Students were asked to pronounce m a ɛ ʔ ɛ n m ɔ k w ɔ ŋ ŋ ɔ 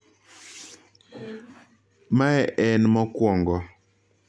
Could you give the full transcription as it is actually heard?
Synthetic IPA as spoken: m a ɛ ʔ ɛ n m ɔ k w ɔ ŋ ɡ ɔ